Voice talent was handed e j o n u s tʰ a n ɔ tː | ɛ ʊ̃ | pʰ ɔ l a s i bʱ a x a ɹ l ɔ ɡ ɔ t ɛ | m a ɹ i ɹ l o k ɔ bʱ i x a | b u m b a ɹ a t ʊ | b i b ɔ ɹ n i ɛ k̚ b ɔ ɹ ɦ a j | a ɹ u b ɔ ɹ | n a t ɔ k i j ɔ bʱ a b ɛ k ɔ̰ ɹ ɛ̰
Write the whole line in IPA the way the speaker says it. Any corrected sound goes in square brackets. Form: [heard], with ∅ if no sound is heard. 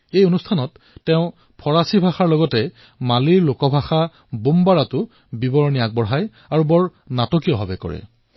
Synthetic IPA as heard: e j o n u s tʰ a n ɔ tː | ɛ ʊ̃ | pʰ ɔ [ɹ] a s i bʱ a x a ɹ l ɔ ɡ ɔ t ɛ | m a [l] i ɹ l o k ɔ bʱ [a] x a | b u m b a ɹ a t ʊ | b i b ɔ ɹ n i [a] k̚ b ɔ ɹ ɦ a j | a ɹ u b ɔ ɹ | n a t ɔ k i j ɔ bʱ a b ɛ k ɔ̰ ɹ ɛ̰